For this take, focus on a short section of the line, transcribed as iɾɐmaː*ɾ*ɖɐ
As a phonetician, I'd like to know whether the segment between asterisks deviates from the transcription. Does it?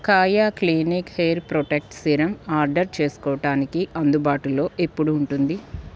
no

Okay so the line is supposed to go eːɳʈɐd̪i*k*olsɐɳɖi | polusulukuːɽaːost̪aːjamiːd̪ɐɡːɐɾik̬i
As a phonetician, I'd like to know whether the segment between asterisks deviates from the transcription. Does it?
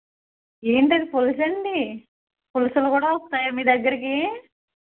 yes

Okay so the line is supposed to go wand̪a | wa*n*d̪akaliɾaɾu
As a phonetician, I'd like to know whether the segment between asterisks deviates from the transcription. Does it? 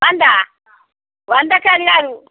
no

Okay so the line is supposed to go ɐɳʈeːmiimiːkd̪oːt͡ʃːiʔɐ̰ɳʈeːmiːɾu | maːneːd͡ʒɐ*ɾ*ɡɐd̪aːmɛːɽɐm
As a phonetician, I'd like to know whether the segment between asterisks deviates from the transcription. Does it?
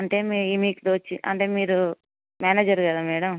no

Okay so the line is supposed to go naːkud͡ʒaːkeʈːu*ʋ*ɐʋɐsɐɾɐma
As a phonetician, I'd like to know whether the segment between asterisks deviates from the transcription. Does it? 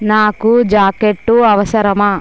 yes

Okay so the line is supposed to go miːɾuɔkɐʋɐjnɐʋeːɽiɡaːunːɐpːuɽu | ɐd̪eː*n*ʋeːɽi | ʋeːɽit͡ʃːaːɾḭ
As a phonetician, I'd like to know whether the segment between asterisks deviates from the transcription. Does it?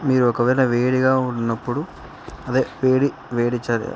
yes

